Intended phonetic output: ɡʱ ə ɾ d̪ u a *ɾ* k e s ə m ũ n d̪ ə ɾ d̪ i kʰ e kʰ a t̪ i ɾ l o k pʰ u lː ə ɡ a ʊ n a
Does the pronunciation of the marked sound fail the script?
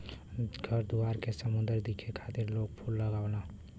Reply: no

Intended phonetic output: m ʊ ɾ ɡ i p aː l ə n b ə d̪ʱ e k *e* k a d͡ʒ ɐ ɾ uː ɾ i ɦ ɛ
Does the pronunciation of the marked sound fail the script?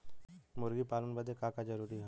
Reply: yes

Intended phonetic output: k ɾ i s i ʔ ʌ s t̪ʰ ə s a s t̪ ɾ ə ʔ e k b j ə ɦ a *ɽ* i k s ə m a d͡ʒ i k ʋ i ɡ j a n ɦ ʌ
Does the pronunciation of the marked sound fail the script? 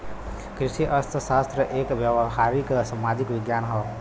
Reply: yes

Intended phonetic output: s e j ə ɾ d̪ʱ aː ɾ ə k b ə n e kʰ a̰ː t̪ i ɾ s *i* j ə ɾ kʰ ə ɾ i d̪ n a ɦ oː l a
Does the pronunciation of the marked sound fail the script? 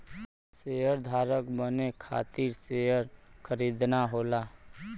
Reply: yes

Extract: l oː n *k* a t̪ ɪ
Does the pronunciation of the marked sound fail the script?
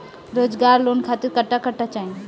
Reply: yes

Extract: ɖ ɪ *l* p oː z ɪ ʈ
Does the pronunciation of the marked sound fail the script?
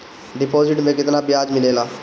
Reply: yes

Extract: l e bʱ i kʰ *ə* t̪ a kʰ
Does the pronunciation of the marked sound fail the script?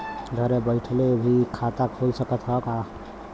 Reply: yes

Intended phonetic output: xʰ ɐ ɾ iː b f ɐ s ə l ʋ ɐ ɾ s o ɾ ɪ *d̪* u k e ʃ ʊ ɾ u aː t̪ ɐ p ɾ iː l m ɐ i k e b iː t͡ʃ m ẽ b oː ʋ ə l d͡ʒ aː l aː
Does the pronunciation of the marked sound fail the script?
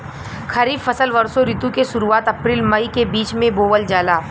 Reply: yes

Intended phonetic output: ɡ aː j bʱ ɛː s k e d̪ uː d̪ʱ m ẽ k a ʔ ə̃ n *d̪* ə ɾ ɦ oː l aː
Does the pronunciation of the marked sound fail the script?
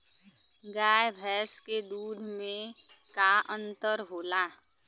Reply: yes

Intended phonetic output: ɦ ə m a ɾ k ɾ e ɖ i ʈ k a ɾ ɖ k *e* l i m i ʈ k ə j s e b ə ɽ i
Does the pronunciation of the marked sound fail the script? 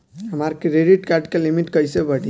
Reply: no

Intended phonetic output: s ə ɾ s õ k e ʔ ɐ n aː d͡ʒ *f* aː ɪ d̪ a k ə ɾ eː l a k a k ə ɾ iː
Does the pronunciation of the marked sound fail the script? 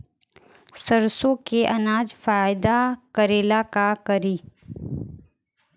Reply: no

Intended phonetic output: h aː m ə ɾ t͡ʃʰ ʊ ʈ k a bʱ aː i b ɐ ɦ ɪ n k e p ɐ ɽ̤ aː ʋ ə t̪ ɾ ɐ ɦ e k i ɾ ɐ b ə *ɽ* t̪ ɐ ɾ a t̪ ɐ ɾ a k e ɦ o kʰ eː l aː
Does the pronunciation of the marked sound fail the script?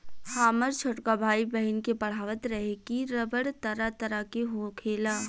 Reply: no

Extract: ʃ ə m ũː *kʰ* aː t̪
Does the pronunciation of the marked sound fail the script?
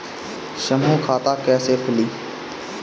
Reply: no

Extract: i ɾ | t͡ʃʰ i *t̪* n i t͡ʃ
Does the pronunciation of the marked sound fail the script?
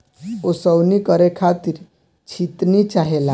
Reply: no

